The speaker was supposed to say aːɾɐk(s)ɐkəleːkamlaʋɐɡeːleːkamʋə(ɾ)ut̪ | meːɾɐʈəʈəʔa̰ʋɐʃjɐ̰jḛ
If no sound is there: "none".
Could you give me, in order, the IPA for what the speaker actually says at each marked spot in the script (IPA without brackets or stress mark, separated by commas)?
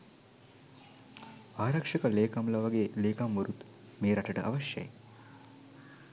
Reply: ʂ, ɾ